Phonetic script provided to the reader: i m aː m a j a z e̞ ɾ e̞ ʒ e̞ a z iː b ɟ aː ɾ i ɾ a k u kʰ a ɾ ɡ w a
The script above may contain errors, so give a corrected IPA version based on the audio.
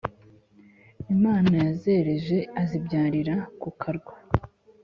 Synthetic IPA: i m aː n a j a z e̞ ɾ e̞ ʒ e̞ a z i b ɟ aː ɾ i ɾ a k u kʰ a ɾ ɡ w a